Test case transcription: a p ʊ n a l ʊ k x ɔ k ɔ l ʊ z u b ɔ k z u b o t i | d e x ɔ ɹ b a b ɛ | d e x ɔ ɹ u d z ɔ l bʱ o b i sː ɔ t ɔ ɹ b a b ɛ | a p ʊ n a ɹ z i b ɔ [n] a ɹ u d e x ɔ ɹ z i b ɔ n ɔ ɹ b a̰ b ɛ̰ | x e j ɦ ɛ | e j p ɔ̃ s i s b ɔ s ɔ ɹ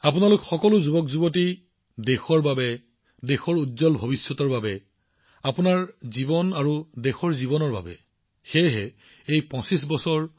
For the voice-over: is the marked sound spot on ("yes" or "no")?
yes